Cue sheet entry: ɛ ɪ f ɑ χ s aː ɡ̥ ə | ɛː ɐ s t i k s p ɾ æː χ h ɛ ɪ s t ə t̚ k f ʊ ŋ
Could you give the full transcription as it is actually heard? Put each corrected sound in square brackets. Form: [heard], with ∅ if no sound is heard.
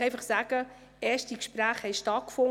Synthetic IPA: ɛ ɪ f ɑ χ s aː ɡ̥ ə | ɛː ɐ [ʃ] t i k [ʃ] p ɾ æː χ h ɛ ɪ [ʃ] t [ɑ] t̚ k f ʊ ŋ